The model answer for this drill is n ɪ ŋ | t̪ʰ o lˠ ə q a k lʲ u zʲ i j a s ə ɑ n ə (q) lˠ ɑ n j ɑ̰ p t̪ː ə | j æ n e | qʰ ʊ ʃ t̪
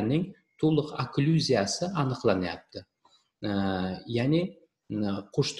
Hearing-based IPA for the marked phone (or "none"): q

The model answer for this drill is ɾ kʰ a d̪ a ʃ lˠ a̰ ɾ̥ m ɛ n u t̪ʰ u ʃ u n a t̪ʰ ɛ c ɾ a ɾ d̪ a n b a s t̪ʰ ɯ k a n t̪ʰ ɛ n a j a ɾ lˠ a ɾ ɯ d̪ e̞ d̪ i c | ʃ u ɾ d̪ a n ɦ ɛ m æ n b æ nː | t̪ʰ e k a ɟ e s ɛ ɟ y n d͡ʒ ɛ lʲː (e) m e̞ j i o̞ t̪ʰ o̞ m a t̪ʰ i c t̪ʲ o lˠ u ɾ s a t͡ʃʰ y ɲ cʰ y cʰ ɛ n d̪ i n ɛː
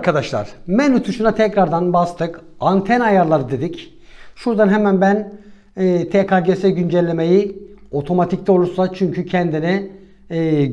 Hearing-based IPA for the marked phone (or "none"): e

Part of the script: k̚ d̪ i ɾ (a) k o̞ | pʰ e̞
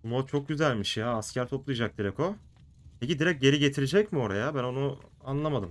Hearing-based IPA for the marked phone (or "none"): ɛ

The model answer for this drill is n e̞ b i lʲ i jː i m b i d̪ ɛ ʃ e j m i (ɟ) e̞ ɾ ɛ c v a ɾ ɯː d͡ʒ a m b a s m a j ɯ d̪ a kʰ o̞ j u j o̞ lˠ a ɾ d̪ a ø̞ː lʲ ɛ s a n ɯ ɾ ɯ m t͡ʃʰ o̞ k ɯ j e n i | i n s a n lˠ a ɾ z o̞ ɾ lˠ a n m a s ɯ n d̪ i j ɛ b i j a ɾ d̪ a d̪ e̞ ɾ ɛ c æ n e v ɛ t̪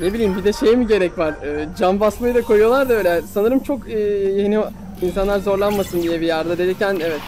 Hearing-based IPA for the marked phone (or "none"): ɟ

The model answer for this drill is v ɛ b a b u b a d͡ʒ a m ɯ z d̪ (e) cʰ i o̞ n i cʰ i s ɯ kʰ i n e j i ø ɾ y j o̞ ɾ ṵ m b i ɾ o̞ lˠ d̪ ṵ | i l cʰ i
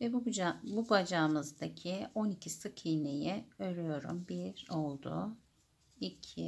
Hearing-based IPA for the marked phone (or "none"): a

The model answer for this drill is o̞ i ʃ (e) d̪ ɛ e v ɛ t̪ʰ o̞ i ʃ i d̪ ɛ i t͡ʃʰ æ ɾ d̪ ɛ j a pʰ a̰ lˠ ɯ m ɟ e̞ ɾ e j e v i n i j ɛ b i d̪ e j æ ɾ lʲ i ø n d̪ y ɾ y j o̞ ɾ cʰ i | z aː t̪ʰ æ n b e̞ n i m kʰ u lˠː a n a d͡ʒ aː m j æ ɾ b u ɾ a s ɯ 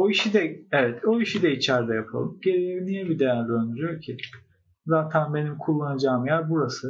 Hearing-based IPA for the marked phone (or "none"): i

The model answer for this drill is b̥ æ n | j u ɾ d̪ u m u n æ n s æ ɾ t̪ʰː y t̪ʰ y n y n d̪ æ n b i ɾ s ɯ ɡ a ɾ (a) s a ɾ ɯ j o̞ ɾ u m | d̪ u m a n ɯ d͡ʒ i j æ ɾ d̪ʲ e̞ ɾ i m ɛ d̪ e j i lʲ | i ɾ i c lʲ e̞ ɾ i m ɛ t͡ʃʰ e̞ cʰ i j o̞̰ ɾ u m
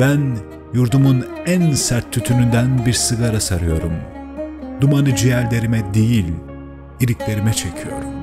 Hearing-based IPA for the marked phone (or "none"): a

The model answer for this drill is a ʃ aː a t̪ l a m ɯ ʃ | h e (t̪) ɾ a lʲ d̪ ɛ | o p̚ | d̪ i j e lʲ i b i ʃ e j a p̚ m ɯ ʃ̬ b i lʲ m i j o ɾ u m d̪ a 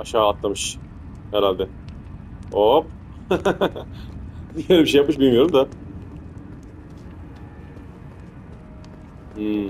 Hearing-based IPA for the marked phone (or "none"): none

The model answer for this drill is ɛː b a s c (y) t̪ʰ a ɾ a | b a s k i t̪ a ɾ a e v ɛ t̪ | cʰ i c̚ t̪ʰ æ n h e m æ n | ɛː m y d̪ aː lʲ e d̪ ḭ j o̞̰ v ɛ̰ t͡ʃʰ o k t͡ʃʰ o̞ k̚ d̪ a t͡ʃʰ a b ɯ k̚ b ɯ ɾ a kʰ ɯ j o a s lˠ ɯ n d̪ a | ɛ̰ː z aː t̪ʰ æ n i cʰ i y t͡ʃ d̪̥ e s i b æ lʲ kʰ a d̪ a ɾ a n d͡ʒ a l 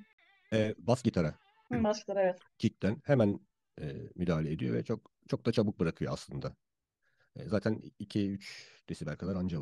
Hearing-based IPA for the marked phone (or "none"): i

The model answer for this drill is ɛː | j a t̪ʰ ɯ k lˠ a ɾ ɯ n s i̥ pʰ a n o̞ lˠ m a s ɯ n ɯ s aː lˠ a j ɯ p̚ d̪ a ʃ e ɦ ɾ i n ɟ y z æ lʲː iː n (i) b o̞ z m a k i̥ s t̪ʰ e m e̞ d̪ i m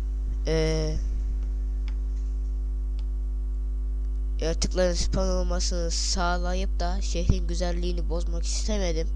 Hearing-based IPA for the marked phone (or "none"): i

